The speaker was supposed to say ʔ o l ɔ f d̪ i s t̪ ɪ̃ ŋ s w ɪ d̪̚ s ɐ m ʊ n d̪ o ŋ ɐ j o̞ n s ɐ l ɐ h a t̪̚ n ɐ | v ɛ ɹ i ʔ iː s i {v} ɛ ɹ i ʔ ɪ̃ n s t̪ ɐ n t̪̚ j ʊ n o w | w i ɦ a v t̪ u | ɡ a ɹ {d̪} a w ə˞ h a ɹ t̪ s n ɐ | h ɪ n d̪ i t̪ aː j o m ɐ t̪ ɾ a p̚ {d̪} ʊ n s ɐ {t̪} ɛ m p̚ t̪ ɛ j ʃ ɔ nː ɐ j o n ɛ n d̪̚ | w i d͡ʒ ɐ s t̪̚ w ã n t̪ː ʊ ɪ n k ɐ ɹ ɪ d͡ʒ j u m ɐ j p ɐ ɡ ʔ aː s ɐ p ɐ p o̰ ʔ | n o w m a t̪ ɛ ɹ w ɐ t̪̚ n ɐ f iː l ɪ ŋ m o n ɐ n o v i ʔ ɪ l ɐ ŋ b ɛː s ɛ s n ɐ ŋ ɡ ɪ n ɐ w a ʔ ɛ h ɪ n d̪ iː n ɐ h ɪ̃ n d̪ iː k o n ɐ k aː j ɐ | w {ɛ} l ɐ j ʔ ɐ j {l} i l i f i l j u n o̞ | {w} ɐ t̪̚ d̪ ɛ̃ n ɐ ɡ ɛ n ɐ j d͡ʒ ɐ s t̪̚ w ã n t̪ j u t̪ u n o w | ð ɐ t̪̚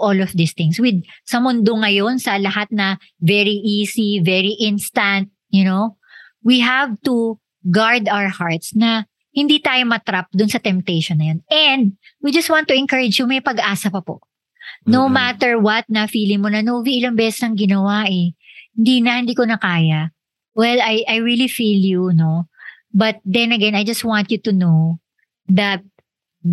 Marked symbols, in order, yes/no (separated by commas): yes, yes, yes, yes, yes, no, no